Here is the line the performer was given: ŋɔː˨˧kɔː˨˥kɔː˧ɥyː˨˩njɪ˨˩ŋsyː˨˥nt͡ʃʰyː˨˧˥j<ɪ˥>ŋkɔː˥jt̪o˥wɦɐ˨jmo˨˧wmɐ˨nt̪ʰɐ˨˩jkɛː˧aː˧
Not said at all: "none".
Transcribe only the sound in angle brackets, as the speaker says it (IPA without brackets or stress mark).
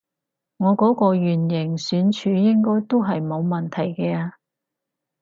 ɪ˥